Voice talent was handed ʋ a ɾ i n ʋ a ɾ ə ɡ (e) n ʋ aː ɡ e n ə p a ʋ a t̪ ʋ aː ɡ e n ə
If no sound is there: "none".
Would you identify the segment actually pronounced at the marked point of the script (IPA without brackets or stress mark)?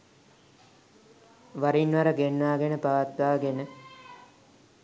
e